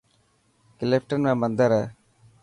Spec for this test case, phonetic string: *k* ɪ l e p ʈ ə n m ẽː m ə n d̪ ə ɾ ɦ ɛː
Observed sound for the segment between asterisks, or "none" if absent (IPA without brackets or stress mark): k